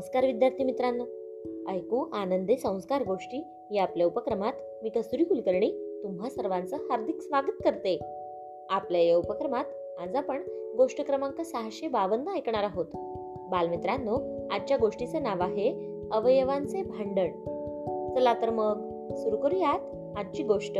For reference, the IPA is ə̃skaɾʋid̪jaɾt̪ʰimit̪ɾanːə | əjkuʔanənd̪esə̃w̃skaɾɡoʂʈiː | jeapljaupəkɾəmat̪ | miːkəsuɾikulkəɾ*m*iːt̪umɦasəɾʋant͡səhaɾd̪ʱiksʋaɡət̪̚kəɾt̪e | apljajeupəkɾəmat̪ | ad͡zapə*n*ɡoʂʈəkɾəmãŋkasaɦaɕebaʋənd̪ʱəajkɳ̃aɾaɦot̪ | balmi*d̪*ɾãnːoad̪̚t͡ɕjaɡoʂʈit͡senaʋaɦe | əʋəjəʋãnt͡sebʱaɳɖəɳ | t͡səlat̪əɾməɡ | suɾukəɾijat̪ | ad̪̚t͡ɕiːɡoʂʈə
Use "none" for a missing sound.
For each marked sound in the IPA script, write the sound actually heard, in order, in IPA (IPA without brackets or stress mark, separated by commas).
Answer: ɳ, ɳ, t̪